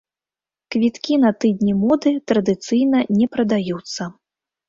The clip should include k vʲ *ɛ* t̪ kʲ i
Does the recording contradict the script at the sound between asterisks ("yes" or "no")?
yes